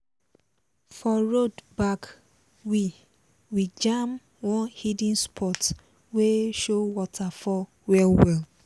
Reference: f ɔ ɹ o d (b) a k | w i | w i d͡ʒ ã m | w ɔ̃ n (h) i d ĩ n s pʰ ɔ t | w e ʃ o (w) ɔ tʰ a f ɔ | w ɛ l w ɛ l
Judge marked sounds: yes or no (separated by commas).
yes, yes, yes